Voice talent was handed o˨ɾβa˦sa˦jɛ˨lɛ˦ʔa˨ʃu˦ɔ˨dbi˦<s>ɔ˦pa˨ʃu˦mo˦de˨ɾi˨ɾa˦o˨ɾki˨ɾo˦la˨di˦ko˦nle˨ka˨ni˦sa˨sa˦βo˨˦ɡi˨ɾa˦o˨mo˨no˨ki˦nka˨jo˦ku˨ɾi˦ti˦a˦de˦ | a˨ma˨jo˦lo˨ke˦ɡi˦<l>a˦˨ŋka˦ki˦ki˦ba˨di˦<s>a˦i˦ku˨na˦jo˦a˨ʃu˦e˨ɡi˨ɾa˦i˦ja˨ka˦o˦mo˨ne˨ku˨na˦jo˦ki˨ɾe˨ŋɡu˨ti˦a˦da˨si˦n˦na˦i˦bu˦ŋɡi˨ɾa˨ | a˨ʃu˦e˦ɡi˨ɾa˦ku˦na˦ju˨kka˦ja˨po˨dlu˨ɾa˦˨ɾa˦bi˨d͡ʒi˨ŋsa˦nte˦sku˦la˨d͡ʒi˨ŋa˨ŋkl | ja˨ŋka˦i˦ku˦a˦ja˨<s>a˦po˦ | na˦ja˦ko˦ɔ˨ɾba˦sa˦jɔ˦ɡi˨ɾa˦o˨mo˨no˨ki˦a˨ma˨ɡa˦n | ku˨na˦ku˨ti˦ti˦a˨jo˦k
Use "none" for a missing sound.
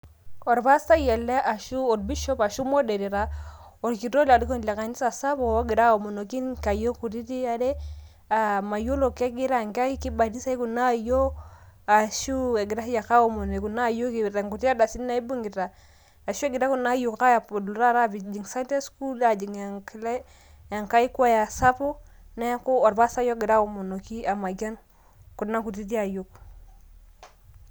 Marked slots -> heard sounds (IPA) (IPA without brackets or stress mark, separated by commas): ʃ, ɾ, s, s